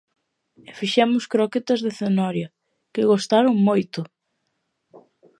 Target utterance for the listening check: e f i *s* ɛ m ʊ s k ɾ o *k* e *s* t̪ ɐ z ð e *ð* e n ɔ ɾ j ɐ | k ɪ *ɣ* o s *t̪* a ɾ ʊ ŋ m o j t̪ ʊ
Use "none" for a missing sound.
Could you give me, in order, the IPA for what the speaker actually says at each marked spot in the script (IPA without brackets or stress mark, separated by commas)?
ʃ, k, none, θ, ɣ, t̪